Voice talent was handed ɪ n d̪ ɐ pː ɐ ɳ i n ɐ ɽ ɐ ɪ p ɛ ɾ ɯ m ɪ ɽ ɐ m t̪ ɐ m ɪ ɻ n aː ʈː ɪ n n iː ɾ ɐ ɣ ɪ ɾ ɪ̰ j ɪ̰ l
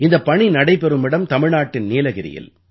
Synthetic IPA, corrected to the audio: ɪ n d̪ ɐ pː ɐ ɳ i n ɐ ɽ ɐ ɪ p ɛ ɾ ɯ m ɪ ɽ ɐ m t̪ ɐ m ɪ ɻ n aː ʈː ɪ n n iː l ɐ ɣ ɪ ɾ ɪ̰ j ɪ̰ l